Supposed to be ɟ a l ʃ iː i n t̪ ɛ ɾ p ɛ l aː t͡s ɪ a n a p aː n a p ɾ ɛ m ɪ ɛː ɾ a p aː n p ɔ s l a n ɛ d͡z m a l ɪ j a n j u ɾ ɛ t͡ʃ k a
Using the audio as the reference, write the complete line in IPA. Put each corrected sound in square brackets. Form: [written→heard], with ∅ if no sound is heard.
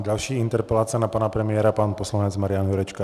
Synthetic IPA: ɟ a l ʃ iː i n t̪ ɛ ɾ p ɛ l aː t͡s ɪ a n a p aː n a p ɾ ɛ m ɪ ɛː ɾ a p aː n p ɔ s l a [n→ɲ] ɛ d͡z m a [l→ɾ] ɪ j a n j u ɾ ɛ t͡ʃ k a